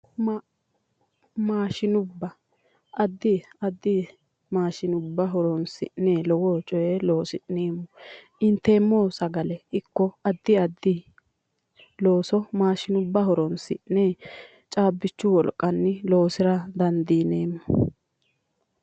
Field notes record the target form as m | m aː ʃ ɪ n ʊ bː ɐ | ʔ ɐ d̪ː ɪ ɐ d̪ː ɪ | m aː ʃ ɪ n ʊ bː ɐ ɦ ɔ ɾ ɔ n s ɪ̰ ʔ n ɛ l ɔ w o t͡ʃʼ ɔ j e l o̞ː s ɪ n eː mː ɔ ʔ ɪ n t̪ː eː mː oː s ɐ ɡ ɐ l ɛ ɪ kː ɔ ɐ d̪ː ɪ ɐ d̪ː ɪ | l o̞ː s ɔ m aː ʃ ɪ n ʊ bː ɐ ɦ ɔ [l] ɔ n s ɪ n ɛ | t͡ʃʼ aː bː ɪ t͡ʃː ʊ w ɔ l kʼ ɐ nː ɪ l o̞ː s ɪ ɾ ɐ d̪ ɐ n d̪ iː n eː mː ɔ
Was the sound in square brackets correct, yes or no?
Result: no